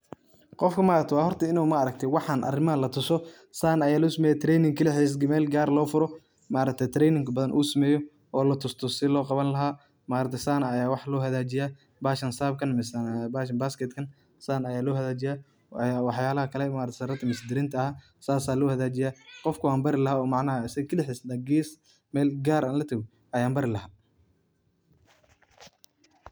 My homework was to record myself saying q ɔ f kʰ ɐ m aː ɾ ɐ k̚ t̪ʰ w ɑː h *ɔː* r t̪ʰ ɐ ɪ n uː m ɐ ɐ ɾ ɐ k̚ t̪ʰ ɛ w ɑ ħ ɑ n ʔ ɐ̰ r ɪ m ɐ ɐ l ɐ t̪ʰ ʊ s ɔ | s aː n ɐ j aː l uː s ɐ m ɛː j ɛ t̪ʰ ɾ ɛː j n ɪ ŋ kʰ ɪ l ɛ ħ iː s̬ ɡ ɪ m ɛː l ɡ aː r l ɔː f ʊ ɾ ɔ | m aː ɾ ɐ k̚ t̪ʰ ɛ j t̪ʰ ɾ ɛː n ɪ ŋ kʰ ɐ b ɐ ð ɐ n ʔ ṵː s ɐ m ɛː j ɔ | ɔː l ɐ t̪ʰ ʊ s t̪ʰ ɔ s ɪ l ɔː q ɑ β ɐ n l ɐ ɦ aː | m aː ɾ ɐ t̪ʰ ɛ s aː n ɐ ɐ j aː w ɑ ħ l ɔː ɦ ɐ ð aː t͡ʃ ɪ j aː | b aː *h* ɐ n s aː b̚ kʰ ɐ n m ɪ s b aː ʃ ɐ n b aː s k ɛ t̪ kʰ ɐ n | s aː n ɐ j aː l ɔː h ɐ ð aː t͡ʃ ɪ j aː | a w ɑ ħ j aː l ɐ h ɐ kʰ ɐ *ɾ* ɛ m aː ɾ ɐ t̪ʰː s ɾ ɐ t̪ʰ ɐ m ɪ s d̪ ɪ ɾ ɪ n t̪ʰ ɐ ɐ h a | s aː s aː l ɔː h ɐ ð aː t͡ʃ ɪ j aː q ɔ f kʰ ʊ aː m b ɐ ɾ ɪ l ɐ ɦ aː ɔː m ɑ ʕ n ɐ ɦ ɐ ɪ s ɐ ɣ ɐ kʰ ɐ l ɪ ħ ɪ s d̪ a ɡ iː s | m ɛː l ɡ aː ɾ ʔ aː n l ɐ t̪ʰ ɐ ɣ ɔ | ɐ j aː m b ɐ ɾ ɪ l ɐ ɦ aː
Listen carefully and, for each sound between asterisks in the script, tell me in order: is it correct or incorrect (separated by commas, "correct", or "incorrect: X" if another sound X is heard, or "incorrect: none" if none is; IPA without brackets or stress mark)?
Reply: incorrect: ɔ, incorrect: ʃ, incorrect: l